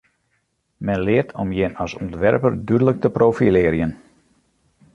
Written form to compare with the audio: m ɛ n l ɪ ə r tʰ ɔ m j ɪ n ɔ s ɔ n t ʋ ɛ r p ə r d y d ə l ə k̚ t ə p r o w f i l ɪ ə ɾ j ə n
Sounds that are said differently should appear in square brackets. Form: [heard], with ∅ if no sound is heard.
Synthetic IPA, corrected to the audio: m ɛ n l ɪ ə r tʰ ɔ m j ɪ n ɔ s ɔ n t ʋ ɛ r p ə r d y d ə l ə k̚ t ə p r o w f i l ɪ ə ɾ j ə n